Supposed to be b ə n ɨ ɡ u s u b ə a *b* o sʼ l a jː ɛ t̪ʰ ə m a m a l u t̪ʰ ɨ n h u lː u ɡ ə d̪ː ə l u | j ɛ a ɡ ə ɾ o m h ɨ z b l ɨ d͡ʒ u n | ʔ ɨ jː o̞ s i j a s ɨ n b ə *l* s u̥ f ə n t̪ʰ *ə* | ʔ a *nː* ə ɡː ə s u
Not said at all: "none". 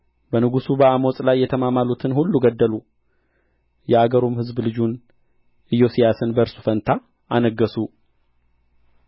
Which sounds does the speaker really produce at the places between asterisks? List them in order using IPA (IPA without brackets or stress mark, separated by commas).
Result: m, ɾ, a, n